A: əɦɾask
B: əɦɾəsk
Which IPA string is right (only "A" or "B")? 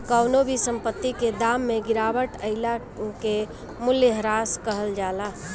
A